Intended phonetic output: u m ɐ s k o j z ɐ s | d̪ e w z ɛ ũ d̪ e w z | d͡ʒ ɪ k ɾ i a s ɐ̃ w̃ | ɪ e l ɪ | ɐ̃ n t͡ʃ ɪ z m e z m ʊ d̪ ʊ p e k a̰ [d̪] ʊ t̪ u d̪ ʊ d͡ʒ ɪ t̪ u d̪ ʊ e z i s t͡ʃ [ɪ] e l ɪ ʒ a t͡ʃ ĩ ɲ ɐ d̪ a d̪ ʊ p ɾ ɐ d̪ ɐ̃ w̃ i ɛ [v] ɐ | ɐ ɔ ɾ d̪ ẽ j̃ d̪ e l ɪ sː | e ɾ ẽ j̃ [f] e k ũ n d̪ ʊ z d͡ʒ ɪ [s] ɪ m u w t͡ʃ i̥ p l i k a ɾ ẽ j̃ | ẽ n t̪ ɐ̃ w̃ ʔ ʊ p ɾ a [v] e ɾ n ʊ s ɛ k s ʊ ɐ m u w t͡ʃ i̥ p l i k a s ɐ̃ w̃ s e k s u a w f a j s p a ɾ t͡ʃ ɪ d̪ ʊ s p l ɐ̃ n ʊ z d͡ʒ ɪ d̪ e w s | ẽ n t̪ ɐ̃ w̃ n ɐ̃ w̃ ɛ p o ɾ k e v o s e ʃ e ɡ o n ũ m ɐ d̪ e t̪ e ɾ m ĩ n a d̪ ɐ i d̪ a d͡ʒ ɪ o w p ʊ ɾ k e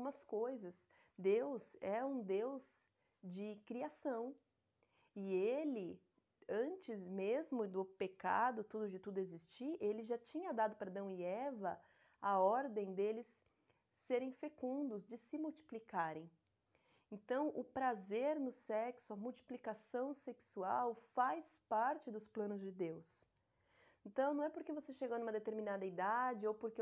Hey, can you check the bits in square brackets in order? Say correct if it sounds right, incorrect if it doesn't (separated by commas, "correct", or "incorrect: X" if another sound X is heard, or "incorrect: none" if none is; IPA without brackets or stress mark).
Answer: correct, incorrect: i, correct, correct, correct, incorrect: z